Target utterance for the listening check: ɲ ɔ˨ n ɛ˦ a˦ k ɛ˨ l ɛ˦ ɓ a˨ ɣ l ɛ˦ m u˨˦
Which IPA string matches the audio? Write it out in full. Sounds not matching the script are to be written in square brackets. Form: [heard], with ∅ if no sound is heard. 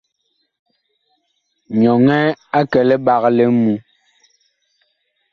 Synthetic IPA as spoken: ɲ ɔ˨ [ŋ] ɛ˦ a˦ k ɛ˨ l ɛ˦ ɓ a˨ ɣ l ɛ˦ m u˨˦